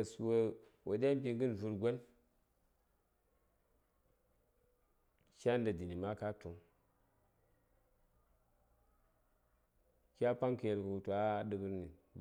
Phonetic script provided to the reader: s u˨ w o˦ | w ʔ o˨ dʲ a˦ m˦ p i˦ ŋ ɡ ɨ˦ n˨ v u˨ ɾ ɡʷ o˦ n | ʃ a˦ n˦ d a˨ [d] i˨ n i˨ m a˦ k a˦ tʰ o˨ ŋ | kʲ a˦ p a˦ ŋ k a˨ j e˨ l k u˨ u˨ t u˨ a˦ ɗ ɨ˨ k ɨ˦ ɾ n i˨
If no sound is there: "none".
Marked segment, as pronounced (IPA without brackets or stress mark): d